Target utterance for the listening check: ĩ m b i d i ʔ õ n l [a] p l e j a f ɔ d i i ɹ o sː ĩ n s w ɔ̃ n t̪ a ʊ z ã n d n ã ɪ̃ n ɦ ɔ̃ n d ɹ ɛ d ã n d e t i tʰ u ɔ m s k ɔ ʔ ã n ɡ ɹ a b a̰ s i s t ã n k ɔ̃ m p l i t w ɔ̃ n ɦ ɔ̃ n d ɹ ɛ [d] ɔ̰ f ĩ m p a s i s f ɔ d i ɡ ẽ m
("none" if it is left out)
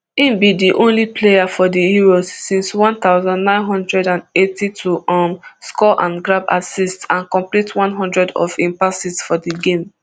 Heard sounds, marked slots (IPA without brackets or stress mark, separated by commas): i, d